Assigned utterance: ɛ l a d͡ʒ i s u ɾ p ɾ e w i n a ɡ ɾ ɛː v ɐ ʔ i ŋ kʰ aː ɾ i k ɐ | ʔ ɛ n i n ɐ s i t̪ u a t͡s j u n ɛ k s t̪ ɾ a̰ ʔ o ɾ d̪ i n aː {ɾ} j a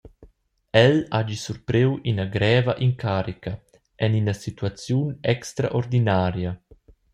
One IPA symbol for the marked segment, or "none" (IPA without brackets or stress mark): ɾ